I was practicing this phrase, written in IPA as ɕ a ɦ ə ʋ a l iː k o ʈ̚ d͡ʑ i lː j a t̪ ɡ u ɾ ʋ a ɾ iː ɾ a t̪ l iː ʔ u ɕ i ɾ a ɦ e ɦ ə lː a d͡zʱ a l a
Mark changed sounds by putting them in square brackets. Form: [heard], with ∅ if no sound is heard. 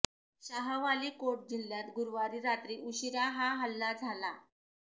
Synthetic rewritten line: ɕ a ɦ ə ʋ a l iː k o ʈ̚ d͡ʑ i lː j a t̪ ɡ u ɾ ʋ a ɾ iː ɾ a t̪ [ɾ] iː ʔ u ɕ i ɾ a ɦ [a] ɦ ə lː a d͡zʱ a l a